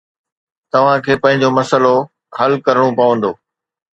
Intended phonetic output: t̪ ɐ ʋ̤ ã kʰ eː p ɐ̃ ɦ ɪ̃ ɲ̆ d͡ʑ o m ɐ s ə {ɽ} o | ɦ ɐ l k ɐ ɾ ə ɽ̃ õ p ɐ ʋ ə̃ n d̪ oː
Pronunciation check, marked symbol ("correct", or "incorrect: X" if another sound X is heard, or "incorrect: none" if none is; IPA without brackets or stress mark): incorrect: l